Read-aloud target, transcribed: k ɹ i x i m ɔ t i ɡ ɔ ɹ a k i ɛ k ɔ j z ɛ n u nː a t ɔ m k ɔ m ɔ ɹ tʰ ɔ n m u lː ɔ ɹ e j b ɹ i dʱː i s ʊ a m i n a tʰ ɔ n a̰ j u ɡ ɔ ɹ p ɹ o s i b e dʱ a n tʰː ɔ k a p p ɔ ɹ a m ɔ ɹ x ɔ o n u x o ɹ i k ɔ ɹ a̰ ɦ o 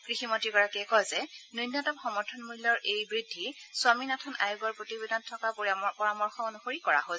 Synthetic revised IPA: k ɹ i x i m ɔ t i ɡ ɔ ɹ a k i ɛ k ɔ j z ɛ n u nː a t ɔ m x ɔ m ɔ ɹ tʰ ɔ n m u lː ɔ ɹ e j b ɹ i dʱː i s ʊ a m i n a tʰ ɔ n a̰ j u ɡ ɔ ɹ p ɹ o t i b e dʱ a n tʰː ɔ k a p p ɔ ɹ a m ɔ ɹ x ɔ o n u x o ɹ i k ɔ ɹ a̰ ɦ o